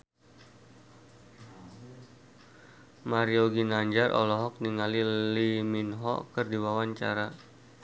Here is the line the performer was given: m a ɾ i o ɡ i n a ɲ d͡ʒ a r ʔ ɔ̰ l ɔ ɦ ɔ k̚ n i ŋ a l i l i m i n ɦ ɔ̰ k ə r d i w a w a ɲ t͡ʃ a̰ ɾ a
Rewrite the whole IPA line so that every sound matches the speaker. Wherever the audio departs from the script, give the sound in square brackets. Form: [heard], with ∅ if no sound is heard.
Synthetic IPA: m a ɾ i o ɡ i n a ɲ d͡ʒ a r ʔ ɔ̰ l ɔ ɦ ɔ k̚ n i ŋ a l i l i m i n ɦ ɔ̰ k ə r d i w a w a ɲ t͡ʃ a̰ ɾ a